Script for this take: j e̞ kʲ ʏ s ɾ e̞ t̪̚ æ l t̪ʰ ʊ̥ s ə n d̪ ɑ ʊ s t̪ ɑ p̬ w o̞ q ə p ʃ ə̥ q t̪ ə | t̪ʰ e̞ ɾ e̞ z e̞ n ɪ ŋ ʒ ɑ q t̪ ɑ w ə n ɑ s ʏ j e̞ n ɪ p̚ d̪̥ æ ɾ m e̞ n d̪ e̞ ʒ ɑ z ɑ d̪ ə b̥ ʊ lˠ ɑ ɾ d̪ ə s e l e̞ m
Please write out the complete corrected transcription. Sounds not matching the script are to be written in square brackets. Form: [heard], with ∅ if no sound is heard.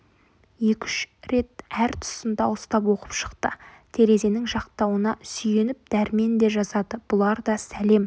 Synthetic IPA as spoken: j e̞ kʲ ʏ [ʃ] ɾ e̞ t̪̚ æ [ɾ] t̪ʰ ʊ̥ s ə n d̪ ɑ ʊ s t̪ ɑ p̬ w o̞ q ə p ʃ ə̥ q t̪ ə | t̪ʰ e̞ ɾ e̞ z e̞ n ɪ ŋ ʒ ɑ q t̪ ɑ w ə n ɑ s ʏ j e̞ n ɪ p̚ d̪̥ æ ɾ m e̞ n d̪ e̞ ʒ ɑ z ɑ d̪ ə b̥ ʊ lˠ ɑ ɾ d̪ [ɑ] s [æ] l e̞ m

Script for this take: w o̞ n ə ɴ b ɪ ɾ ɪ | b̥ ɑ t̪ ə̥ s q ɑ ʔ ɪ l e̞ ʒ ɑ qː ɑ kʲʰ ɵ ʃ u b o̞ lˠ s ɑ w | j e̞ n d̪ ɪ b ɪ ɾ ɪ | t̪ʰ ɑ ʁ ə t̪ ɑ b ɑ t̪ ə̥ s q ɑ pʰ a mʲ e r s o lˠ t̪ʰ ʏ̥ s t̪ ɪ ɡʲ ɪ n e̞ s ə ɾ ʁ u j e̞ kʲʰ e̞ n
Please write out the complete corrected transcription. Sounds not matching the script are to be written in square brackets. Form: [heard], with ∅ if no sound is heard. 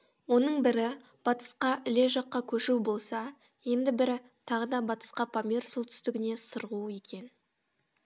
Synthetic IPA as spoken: w o̞ n ə ɴ b ɪ ɾ ɪ | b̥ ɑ t̪ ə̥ s q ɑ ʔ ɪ l e̞ ʒ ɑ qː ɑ kʲʰ ɵ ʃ u b o̞ lˠ s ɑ [∅] | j e̞ n d̪ ɪ b ɪ ɾ ɪ | t̪ʰ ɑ ʁ ə [d̪] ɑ b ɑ t̪ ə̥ s q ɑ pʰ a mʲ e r s o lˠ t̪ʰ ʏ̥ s t̪ ɪ ɡʲ ɪ n e̞ s ə ɾ ʁ u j e̞ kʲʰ e̞ n

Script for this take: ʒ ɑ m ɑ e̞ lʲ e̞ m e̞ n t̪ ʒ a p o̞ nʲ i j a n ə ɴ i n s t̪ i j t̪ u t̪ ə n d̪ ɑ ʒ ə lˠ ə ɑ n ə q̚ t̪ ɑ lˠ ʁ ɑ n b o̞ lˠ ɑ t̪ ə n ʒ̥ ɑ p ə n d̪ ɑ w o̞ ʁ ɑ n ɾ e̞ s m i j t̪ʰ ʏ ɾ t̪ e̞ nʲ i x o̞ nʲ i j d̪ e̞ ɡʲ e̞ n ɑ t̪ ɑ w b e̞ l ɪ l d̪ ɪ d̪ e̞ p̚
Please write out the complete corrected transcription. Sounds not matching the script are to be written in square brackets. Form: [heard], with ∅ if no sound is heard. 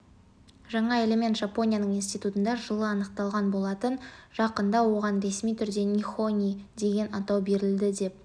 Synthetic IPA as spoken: ʒ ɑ [ɴ] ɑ e̞ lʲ e̞ m e̞ n t̪ ʒ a p o̞ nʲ i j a n ə ɴ i n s t̪ i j t̪ u t̪ ə n d̪ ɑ ʒ ə lˠ ə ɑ n ə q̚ t̪ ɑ lˠ ʁ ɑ n b o̞ lˠ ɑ t̪ ə n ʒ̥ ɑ [q] ə n d̪ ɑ w o̞ ʁ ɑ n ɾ e̞ s m i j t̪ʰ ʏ ɾ [d̪] e̞ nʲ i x o̞ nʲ i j d̪ e̞ ɡʲ e̞ n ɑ t̪ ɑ w b e̞ [ɾ] ɪ l d̪ ɪ d̪ e̞ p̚

